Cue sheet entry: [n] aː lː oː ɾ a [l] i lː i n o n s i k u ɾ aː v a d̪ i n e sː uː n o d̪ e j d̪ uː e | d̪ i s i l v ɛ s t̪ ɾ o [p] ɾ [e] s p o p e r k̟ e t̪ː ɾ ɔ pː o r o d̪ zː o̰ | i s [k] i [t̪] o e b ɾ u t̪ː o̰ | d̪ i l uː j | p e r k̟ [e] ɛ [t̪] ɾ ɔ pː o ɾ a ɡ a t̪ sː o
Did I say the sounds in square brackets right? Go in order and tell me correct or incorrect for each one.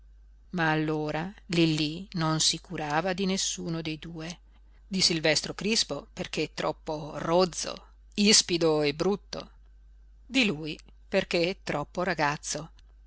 incorrect: m, correct, incorrect: k, incorrect: i, incorrect: p, incorrect: d̪, correct, correct

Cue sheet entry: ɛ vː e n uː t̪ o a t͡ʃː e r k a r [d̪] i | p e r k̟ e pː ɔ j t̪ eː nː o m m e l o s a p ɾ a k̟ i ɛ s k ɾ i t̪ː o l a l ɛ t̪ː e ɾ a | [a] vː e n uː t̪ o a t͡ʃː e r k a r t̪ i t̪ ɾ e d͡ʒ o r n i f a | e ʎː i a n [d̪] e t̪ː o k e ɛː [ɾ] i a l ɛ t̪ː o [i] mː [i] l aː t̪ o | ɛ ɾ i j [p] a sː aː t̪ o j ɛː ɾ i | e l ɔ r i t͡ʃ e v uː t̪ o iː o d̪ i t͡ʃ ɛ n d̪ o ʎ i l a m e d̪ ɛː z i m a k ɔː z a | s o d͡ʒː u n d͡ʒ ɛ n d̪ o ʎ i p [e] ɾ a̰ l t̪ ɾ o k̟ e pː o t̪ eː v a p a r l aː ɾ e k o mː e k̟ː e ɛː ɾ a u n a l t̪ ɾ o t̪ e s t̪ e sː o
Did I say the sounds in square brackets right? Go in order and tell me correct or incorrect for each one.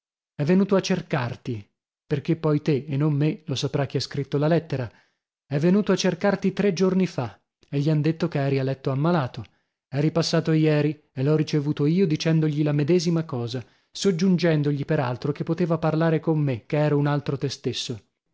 incorrect: t̪, incorrect: ɛ, correct, correct, incorrect: a, incorrect: a, correct, correct

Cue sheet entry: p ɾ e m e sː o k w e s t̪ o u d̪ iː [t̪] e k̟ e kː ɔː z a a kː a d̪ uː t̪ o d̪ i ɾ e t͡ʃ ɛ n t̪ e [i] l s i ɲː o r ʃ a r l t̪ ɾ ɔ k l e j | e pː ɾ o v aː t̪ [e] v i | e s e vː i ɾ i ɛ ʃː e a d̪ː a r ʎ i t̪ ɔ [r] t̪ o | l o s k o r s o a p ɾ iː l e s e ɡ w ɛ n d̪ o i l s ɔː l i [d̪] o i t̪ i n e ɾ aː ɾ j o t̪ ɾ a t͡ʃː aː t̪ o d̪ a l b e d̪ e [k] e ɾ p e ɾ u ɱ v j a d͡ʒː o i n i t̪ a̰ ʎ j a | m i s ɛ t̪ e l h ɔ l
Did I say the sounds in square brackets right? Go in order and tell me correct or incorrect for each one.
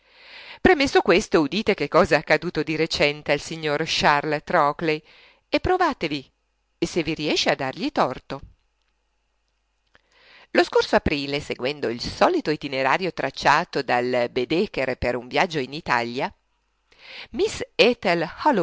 correct, incorrect: a, correct, correct, incorrect: t̪, correct

